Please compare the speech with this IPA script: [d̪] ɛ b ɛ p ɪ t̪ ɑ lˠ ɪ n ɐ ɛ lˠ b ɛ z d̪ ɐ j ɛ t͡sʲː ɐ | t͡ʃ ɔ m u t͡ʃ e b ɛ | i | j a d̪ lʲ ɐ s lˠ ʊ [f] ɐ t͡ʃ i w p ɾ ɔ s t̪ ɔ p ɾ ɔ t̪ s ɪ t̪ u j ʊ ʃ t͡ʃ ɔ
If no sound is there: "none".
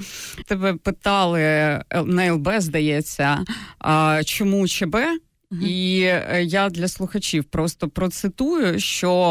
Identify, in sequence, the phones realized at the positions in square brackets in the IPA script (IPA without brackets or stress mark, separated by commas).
t̪, x